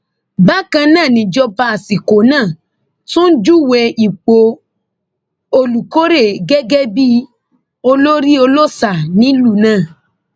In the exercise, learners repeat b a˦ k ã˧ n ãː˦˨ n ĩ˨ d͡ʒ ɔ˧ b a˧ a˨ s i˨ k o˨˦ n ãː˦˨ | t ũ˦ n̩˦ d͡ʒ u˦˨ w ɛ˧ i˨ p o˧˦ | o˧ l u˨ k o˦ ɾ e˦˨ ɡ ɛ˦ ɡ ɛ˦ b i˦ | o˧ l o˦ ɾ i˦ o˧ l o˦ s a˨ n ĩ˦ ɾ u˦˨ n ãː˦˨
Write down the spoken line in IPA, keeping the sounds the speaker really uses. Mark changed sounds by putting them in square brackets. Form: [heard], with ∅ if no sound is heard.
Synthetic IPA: b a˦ k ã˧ n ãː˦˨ n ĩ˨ d͡ʒ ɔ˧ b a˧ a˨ s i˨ k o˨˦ n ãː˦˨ | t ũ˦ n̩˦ d͡ʒ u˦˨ w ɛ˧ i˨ [k͡p] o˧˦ | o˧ l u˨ k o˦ ɾ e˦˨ ɡ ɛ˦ ɡ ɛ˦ b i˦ | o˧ l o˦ ɾ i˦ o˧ l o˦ s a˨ n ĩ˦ [l] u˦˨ n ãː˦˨